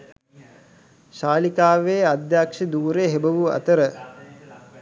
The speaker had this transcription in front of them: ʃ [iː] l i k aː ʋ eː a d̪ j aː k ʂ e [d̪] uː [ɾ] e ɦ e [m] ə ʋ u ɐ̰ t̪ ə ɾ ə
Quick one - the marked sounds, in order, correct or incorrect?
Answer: incorrect: aː, correct, correct, incorrect: b

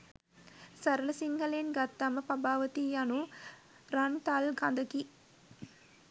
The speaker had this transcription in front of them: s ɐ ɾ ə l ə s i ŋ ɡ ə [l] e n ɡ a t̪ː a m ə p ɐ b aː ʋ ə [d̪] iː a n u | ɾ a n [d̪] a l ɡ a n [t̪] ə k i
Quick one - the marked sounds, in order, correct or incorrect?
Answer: correct, incorrect: t̪, incorrect: t̪, incorrect: d̪

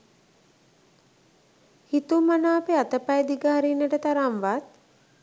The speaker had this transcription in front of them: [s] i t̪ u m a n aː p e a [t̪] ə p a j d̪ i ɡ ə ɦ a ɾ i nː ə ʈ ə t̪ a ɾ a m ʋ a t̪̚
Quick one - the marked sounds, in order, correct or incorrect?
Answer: incorrect: h, correct

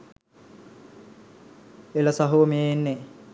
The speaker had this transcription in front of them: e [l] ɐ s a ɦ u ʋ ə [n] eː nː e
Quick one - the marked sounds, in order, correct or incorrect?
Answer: correct, incorrect: m

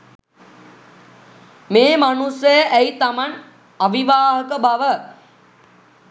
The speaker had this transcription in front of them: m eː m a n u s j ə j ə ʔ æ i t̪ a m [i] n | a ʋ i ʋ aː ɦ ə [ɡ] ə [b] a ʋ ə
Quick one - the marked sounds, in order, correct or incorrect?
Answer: incorrect: a, incorrect: k, correct

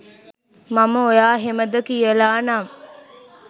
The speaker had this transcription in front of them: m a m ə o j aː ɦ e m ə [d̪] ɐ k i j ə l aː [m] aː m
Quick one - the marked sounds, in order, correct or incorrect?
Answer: correct, incorrect: n

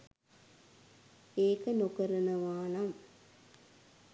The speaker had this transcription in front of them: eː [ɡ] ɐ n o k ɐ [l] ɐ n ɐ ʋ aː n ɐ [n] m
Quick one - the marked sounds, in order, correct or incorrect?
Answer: incorrect: k, incorrect: ɾ, incorrect: none

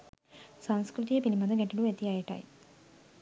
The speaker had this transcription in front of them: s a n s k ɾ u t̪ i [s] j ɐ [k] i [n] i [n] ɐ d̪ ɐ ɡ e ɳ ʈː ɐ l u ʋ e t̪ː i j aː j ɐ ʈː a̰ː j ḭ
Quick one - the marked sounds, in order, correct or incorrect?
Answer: incorrect: none, incorrect: p, correct, incorrect: m

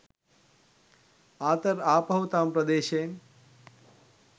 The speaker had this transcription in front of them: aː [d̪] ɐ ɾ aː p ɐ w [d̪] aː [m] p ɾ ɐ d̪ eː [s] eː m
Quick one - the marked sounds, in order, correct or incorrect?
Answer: incorrect: t̪, incorrect: t̪, correct, incorrect: ʃ

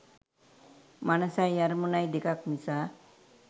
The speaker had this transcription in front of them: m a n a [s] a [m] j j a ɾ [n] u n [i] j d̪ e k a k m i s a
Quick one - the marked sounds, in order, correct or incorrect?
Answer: correct, incorrect: none, incorrect: m, incorrect: a

